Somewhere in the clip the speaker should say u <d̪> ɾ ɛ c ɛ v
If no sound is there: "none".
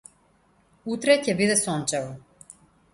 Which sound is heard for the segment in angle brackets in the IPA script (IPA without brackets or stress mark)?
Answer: t̪